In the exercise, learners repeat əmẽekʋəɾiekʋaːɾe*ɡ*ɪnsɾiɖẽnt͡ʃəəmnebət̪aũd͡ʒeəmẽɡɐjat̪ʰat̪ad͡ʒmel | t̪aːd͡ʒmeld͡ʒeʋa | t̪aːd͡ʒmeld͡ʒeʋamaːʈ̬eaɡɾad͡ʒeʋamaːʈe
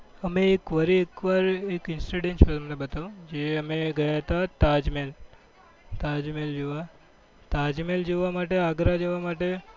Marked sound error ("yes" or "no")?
yes